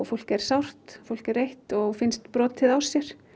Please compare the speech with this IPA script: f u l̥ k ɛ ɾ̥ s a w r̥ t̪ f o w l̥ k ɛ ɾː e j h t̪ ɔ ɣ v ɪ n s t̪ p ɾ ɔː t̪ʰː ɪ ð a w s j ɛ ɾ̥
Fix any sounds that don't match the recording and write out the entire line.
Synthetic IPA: f o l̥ k ɛ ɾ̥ s a w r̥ t̪ f o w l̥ k ɛ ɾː e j h t̪ ɔ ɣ f ɪ n s t̪ p ɾ ɔː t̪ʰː ɪ ð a w s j ɛ ɾ̥